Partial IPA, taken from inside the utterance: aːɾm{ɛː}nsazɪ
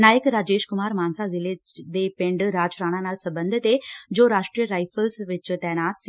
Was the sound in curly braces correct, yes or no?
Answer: no